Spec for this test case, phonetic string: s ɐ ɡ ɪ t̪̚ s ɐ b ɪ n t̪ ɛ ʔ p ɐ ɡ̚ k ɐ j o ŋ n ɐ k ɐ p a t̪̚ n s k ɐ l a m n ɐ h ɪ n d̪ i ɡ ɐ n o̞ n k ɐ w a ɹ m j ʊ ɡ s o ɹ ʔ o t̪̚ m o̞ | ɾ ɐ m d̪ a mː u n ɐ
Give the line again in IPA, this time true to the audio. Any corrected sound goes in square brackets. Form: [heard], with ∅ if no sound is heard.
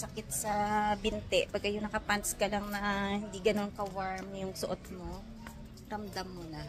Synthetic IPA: s ɐ [k] ɪ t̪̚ s ɐ b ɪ n t̪ ɛ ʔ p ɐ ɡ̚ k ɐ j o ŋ n ɐ k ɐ p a [∅] n s k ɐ l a [ŋ] n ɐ h ɪ n d̪ i ɡ ɐ n o̞ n k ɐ w a ɹ m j ʊ [ŋ] s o [∅] ʔ o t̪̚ m o̞ | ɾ ɐ m d̪ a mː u n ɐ